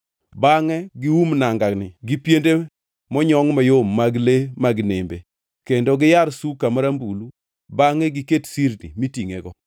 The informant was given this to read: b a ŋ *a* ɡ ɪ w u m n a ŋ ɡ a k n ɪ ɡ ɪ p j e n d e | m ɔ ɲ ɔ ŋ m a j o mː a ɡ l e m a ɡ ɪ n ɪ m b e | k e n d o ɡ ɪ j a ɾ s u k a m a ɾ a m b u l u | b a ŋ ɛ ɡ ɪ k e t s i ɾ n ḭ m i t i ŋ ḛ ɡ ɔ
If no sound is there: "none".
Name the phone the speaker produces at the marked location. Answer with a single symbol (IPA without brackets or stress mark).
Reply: ɛ